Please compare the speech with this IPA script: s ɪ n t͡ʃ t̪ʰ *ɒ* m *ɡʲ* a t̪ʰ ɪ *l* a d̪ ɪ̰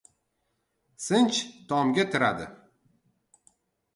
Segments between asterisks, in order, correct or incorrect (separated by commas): correct, correct, incorrect